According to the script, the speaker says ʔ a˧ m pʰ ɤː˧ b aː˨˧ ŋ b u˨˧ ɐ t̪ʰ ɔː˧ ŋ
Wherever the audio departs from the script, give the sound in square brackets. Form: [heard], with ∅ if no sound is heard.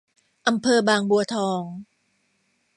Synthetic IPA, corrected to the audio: ʔ a˧ m pʰ ɤː˧ b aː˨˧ ŋ b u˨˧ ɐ t̪ʰ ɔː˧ ŋ